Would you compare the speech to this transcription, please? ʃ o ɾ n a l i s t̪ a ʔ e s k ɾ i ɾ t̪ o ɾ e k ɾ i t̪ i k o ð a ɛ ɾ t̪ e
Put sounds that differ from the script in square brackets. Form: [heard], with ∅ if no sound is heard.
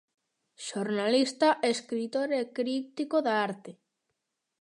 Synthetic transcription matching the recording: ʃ o ɾ n a l i s t̪ a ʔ e s k ɾ i [∅] t̪ o ɾ e k ɾ i t̪ i k o ð a [a] ɾ t̪ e